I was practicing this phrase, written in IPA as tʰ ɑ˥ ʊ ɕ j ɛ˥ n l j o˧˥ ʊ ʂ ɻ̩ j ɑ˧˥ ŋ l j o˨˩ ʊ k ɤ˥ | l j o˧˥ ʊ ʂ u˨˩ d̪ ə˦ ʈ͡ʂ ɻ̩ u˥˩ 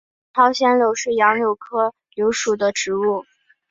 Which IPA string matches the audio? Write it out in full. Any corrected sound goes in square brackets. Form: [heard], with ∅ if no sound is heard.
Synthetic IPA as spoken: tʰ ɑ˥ ʊ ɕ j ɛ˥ n l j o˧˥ ʊ ʂ ɻ̩ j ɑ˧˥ ŋ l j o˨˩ ʊ [kʰ] ɤ˥ | l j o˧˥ ʊ ʂ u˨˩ d̪ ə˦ ʈ͡ʂ ɻ̩ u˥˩